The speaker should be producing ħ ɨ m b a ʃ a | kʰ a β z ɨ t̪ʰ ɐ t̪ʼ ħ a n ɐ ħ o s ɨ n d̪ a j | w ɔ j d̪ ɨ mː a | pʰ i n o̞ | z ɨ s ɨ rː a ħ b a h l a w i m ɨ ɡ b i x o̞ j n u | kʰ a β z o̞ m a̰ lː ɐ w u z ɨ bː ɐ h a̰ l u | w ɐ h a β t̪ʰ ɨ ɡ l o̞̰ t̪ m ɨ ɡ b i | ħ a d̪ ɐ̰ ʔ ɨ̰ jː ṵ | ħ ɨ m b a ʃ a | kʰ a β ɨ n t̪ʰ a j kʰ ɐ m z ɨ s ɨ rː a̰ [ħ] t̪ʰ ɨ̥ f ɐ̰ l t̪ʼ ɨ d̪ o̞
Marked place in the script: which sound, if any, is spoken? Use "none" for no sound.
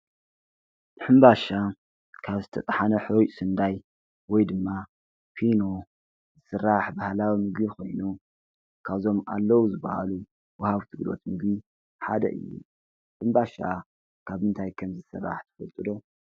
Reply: ħ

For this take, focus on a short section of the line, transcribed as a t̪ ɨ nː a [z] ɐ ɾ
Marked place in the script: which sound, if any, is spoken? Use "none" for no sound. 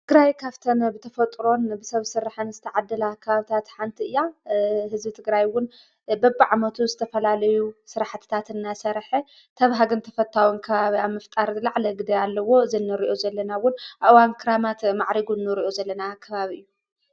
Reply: s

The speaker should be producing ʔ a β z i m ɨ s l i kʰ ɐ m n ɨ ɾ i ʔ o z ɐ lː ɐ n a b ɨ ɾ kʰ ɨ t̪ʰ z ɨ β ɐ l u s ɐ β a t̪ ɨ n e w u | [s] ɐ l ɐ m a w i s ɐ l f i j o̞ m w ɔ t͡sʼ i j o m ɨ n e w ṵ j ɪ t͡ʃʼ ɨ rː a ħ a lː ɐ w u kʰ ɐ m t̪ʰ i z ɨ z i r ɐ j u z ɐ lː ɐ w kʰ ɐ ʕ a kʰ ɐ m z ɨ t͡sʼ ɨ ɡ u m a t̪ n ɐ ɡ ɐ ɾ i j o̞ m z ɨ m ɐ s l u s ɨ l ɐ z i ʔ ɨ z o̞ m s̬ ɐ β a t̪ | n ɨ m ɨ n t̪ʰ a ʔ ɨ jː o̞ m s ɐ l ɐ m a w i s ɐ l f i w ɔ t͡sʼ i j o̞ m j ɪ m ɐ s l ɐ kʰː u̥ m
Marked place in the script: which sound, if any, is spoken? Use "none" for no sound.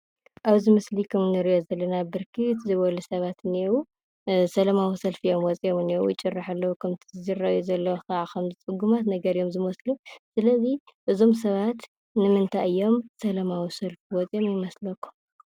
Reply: s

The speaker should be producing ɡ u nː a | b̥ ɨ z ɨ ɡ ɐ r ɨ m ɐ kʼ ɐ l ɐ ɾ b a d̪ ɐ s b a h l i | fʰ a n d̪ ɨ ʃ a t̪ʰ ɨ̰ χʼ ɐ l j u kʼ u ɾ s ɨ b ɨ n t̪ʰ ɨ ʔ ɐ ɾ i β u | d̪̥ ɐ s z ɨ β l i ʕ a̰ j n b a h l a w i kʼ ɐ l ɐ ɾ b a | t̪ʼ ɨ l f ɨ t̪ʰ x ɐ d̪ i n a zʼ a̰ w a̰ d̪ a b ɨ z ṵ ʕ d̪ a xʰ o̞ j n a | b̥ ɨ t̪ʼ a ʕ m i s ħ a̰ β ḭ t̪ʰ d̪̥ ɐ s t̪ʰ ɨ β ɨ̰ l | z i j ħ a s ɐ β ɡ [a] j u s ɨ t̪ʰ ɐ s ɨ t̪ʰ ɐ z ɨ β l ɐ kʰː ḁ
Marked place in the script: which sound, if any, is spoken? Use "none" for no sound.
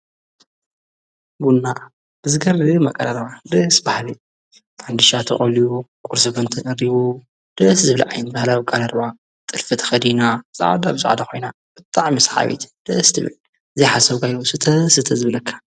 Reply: a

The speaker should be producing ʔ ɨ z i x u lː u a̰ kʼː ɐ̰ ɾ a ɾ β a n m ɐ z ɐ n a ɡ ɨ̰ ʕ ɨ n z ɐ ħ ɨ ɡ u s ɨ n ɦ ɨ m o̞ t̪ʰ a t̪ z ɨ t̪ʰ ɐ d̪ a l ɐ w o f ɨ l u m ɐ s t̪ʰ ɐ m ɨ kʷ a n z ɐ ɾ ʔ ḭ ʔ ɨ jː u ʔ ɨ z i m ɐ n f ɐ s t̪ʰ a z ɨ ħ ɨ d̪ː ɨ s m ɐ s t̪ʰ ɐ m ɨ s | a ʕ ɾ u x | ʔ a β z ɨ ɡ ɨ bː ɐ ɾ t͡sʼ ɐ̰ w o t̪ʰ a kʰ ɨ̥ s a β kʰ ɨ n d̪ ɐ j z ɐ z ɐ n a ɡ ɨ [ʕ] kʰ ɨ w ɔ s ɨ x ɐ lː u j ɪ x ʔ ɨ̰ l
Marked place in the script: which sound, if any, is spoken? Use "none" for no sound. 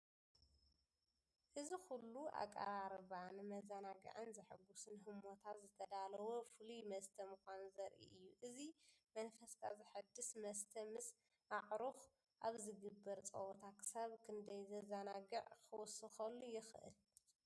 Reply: ʕ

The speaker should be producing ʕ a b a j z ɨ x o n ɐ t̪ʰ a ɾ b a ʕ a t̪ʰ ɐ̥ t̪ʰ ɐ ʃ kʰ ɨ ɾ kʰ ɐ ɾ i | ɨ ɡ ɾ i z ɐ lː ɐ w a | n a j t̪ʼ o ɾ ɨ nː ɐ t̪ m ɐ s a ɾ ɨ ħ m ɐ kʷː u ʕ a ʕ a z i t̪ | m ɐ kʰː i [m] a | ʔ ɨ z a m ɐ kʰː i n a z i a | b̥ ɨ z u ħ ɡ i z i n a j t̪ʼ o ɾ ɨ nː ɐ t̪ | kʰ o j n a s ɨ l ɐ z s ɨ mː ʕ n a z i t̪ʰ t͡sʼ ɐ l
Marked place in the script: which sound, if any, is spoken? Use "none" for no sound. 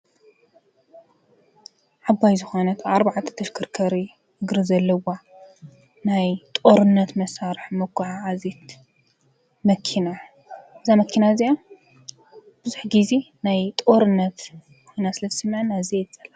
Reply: n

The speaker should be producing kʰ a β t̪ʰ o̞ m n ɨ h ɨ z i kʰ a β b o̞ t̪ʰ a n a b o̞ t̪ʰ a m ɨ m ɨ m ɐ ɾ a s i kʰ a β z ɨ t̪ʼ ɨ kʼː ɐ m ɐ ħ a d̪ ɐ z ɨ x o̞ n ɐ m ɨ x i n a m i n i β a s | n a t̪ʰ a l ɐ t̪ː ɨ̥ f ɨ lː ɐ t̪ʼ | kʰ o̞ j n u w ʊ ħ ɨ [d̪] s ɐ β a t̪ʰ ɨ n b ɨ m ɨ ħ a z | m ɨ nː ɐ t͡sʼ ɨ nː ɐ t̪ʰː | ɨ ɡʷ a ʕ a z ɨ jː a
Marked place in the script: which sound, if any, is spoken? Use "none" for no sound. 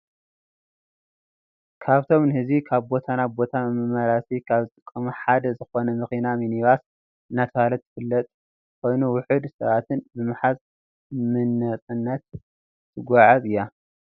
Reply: d̪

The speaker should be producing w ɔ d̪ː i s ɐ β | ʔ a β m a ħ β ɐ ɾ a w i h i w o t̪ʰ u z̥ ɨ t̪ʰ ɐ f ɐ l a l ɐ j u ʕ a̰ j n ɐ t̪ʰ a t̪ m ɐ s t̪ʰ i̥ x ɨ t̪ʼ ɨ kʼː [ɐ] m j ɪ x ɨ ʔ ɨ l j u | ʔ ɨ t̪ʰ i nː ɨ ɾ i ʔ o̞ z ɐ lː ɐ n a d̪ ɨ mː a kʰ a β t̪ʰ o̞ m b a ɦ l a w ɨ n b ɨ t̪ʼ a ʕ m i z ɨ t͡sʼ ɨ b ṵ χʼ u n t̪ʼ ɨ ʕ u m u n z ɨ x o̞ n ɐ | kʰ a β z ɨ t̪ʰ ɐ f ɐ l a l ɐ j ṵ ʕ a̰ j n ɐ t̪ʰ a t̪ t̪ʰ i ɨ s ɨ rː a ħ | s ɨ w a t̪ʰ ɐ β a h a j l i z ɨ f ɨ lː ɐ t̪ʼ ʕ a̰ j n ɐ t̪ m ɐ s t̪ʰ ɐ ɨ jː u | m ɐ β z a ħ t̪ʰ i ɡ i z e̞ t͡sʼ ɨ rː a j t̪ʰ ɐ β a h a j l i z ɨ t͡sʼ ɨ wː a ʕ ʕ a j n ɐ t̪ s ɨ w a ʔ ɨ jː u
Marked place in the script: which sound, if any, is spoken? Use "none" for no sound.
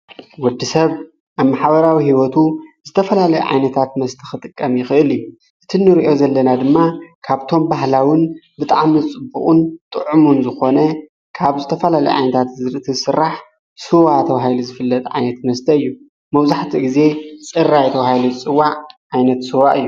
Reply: ɐ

